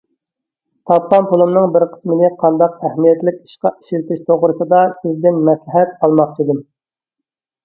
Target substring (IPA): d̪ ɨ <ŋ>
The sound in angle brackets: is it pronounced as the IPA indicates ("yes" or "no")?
no